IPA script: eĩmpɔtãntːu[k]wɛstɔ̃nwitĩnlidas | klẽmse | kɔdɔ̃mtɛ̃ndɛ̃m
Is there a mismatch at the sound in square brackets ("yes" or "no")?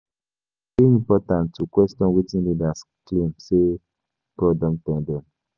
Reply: no